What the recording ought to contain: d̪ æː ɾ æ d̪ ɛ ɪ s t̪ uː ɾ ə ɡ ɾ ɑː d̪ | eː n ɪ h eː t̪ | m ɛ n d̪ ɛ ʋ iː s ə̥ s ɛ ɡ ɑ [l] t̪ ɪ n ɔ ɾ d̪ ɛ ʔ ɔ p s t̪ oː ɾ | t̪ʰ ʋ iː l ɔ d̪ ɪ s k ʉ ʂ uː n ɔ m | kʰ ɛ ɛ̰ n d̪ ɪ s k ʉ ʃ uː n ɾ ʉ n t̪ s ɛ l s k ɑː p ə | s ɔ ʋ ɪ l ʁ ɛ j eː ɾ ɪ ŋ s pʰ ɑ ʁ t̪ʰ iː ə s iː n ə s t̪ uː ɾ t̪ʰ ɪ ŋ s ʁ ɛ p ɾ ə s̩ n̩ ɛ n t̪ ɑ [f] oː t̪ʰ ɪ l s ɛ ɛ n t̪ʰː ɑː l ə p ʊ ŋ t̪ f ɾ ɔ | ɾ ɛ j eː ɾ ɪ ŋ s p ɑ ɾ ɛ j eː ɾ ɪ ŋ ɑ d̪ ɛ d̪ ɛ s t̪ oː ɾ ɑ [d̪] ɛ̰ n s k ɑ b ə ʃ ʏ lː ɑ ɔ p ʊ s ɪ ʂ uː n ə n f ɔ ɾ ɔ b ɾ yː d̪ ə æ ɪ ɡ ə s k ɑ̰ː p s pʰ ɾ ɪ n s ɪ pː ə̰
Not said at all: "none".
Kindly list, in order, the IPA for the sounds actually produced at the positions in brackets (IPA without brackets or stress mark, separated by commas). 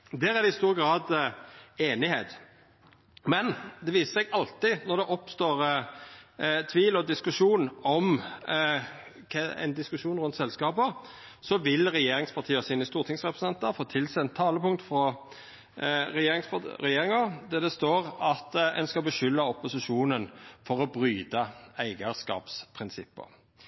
l, f, t̪